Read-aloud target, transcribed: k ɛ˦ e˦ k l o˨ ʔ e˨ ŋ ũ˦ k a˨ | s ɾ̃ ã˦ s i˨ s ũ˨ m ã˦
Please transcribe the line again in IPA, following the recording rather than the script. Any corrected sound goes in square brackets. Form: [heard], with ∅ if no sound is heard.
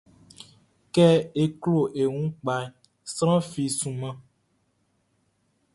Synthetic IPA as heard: k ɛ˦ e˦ k l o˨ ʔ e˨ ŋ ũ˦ [k͡p] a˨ | s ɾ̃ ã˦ [f] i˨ s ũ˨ m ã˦